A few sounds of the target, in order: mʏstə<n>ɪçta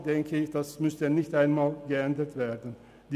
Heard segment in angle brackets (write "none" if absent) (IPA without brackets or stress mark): n